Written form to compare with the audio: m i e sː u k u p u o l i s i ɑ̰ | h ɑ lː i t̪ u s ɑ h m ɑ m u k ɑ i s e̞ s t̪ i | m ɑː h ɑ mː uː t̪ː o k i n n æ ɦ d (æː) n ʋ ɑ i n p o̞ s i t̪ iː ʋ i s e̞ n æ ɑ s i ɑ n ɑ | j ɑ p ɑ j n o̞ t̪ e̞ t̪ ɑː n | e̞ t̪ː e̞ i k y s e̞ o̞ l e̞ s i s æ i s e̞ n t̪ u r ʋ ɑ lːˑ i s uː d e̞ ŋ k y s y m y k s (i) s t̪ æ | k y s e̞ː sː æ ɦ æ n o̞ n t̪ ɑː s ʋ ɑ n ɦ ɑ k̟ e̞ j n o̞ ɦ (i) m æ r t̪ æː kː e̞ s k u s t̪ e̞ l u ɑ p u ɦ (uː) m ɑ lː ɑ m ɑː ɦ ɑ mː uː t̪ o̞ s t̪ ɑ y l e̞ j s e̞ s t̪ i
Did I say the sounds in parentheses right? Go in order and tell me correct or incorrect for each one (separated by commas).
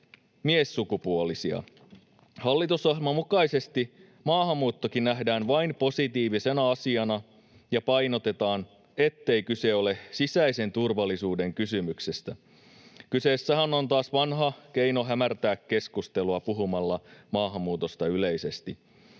correct, incorrect, incorrect, incorrect